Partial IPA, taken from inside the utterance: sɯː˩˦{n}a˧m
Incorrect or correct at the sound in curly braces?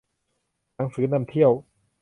correct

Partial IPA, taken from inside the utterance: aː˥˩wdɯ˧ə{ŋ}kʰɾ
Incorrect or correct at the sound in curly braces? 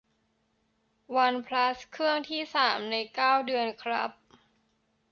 incorrect: n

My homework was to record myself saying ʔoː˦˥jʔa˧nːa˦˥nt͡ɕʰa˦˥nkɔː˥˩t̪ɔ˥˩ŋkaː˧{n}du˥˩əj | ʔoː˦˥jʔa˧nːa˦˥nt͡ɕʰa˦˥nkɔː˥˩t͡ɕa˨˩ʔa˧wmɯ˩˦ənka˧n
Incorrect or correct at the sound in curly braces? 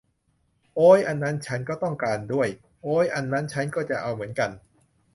correct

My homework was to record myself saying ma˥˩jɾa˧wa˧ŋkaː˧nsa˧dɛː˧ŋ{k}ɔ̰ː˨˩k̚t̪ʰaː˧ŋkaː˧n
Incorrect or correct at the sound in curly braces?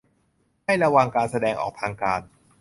incorrect: ʔ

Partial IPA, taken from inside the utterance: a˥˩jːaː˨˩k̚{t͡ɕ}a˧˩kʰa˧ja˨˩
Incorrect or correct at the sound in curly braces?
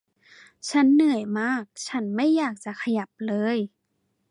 correct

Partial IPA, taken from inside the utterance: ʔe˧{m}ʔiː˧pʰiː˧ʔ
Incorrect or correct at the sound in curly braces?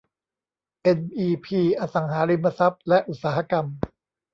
incorrect: n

